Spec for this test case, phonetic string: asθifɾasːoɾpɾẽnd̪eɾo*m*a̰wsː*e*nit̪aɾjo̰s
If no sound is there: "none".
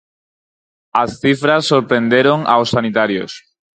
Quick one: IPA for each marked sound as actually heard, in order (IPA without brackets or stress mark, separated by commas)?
ŋ, a